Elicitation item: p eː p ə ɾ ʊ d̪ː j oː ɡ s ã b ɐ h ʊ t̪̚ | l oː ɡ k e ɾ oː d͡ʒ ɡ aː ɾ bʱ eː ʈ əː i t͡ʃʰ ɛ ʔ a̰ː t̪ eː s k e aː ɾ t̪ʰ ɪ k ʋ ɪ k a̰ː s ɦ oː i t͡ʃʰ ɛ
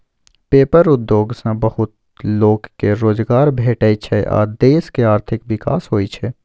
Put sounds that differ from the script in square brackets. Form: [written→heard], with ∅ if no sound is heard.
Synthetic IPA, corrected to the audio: p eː p ə ɾ ʊ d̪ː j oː ɡ s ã b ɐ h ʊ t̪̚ | l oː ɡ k e ɾ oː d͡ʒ ɡ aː ɾ bʱ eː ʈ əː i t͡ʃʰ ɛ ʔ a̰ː [t̪→d̪] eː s k e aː ɾ t̪ʰ ɪ k ʋ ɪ k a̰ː s ɦ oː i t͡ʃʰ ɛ